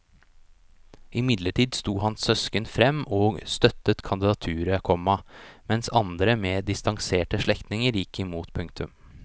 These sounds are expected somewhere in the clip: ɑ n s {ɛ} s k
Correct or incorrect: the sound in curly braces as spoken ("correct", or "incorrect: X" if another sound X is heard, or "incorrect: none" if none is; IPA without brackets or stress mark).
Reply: incorrect: œ